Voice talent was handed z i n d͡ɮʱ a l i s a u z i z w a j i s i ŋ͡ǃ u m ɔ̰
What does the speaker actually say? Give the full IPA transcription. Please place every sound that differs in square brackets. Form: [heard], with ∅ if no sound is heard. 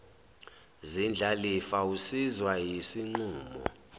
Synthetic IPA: z i n d͡ɮʱ a l i [f] a u [s] i z w a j i s i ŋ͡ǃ [uː] m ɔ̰